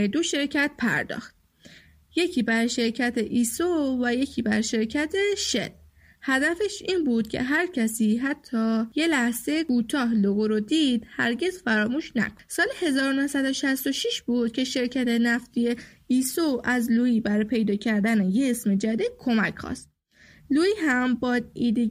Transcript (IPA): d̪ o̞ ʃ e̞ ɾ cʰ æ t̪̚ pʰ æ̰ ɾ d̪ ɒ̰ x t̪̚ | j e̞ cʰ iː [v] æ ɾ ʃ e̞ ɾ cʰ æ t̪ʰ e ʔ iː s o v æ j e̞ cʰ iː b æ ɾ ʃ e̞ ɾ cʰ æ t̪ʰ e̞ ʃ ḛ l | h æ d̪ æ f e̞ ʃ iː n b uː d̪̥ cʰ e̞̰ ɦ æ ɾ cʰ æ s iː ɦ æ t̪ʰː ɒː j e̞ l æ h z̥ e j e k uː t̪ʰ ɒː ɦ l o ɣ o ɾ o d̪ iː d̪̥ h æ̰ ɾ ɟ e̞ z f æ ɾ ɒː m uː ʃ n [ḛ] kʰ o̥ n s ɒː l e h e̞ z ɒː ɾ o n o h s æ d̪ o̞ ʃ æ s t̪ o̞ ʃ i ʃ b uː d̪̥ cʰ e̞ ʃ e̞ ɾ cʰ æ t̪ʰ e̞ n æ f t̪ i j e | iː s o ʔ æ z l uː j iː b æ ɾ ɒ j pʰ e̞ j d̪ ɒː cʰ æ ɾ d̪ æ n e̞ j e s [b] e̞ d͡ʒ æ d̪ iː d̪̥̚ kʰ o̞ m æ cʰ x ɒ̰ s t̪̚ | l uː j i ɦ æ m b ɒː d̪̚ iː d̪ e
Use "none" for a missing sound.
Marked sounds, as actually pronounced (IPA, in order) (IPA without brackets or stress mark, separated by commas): b, æ̰, m